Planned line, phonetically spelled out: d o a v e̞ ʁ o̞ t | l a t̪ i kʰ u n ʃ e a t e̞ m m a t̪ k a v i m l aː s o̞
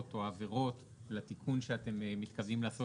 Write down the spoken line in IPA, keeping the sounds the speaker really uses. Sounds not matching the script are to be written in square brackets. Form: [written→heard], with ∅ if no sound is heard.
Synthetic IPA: [d→t] o a v e̞ ʁ o̞ t | l a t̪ i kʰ u n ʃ e a t e̞ m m [a→i] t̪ k a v i m l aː s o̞